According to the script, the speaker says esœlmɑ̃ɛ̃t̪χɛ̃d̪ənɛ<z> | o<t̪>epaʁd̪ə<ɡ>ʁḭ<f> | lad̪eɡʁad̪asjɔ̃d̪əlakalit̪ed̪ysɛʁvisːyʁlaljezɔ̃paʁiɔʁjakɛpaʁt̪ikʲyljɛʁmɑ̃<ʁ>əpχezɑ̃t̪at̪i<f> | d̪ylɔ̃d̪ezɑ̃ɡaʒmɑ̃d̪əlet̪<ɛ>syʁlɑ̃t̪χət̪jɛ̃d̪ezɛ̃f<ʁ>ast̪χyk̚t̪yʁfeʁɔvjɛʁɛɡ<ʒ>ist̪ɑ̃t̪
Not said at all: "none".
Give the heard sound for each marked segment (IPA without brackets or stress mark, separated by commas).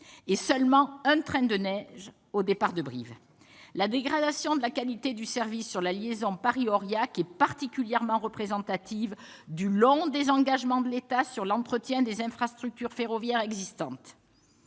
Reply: ʒ, d̪, b, v, ʁ, v, a, χ, z